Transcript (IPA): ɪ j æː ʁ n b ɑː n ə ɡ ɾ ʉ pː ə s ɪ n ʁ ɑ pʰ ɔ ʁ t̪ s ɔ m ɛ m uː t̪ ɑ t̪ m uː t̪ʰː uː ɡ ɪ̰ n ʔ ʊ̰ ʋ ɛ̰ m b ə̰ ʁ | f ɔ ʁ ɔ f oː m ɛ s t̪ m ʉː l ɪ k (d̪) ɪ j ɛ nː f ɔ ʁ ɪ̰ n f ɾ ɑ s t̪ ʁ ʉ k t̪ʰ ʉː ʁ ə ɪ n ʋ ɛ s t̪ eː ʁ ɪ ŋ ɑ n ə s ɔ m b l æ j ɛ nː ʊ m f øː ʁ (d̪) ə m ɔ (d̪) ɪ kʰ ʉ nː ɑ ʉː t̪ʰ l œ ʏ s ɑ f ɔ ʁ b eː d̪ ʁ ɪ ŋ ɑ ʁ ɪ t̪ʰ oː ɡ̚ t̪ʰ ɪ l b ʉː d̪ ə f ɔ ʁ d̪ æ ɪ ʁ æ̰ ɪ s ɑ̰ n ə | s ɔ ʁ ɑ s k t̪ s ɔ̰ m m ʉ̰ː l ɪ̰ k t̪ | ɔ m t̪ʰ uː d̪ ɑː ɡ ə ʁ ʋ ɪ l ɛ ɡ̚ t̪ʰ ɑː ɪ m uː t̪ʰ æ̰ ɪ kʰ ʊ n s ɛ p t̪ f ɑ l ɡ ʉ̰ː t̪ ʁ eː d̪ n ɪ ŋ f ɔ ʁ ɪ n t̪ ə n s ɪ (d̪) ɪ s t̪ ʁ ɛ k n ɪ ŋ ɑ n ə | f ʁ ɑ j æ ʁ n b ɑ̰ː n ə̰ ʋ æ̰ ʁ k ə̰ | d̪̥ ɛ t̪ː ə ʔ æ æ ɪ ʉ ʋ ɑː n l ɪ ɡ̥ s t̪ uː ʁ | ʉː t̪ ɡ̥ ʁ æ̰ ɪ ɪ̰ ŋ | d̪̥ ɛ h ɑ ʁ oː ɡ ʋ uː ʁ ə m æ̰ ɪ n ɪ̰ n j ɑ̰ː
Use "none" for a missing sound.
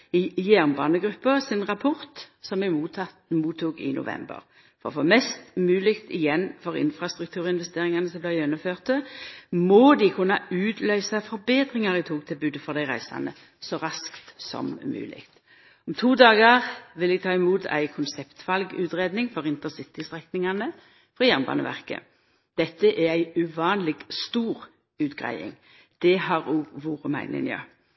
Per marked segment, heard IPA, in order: t̪, t̪, d̪, t̪

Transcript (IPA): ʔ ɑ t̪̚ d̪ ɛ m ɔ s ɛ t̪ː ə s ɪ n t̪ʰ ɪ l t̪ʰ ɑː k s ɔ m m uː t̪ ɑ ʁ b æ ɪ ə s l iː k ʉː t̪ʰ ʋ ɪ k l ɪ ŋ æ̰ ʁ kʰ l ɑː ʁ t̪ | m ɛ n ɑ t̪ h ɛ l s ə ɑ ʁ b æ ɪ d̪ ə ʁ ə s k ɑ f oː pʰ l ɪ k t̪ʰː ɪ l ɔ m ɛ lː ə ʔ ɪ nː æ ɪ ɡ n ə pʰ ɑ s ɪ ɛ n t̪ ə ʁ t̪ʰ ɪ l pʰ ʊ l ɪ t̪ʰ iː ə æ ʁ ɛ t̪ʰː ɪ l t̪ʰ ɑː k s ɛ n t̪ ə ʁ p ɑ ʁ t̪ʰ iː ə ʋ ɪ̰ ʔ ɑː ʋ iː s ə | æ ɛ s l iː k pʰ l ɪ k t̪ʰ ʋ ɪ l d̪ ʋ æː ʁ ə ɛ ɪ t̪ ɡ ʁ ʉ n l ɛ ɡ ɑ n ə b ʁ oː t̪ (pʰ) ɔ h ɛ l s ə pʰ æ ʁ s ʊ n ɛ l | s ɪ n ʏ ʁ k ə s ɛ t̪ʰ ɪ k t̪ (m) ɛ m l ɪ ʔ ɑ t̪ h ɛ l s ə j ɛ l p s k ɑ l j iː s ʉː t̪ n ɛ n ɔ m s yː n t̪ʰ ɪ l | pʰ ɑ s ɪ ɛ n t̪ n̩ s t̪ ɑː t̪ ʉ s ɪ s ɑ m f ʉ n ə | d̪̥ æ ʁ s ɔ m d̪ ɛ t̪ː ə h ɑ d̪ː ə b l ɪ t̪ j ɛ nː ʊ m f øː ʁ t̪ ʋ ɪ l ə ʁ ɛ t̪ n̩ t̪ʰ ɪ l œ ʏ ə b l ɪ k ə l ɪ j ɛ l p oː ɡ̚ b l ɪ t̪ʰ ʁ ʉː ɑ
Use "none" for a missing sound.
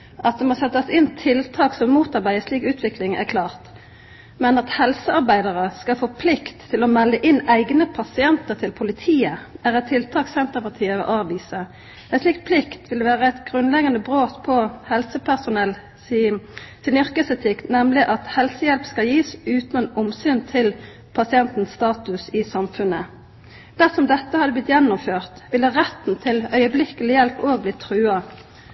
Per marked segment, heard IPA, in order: pʰ, n

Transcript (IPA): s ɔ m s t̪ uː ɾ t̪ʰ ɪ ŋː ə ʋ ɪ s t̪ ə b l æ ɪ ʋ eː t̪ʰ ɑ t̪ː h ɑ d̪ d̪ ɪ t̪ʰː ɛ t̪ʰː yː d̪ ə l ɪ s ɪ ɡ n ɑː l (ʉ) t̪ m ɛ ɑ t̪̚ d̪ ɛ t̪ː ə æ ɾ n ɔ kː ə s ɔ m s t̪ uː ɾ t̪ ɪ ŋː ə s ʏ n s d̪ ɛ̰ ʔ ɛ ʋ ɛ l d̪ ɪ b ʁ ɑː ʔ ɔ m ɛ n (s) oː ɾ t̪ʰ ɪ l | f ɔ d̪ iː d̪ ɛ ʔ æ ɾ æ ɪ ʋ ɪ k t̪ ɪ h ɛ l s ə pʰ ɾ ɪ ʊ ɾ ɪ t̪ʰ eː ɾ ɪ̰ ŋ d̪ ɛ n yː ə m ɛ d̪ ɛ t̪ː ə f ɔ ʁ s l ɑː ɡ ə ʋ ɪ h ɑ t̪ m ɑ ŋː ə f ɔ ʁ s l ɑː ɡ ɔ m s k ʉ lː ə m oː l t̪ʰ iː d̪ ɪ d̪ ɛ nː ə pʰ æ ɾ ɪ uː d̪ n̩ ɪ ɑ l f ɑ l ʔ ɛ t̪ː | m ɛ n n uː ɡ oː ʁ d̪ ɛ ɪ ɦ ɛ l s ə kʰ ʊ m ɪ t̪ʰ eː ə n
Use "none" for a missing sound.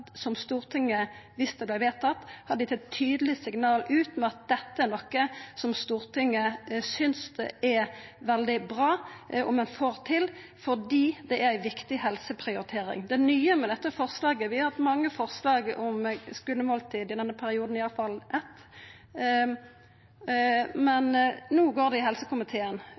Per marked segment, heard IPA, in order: ʉː, f

